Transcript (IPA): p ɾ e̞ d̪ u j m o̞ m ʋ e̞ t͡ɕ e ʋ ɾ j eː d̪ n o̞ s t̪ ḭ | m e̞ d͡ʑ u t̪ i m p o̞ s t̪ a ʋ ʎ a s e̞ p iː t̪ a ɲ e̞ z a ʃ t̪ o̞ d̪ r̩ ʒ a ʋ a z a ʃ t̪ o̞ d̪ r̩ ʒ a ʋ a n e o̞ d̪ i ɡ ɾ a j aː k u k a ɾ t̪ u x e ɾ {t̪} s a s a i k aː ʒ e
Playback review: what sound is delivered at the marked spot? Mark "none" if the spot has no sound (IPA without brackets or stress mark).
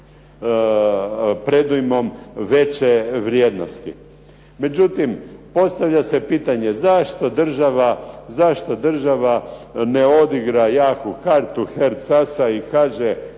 t̪